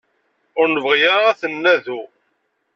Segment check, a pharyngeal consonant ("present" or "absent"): absent